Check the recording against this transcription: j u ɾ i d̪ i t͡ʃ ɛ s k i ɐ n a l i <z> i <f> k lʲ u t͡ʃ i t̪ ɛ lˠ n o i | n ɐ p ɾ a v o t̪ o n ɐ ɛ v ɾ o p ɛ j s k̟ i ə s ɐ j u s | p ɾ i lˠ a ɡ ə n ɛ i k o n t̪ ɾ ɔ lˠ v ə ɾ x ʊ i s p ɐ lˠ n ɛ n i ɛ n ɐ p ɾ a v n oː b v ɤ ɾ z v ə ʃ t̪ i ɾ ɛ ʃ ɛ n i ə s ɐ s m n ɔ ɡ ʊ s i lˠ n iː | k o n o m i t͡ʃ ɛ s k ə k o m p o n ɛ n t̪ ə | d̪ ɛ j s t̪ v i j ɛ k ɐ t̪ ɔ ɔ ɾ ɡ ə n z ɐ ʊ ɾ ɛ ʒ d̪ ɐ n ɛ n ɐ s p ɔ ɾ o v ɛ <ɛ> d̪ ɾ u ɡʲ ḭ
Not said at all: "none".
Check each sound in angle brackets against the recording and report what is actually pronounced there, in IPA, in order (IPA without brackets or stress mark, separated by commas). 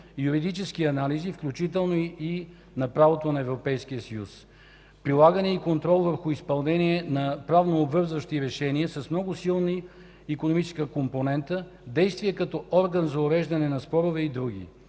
z, f, i